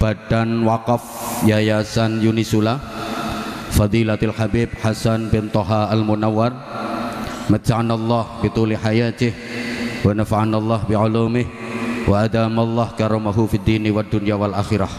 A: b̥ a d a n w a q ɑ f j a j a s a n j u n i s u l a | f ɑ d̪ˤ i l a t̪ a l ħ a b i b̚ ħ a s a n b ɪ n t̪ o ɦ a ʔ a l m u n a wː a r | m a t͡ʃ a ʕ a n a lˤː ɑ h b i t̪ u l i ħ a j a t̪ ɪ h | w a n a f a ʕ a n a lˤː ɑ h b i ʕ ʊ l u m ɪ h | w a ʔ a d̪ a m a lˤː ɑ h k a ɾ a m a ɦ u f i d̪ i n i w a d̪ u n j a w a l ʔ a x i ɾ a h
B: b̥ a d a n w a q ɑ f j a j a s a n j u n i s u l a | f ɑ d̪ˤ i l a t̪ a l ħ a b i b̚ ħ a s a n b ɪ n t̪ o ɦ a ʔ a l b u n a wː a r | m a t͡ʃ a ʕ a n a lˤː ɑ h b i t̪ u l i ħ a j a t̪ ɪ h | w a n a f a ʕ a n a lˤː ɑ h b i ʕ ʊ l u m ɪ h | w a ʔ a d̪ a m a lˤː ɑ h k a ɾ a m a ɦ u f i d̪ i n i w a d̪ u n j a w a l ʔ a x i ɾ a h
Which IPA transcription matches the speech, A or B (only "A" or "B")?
A